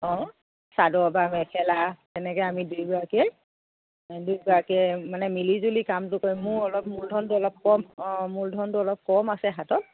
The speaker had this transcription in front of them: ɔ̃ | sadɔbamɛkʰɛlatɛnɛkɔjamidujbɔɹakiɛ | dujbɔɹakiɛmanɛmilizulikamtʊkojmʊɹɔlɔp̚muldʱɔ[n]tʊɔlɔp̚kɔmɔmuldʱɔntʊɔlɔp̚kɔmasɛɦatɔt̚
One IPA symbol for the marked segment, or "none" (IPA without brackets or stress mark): n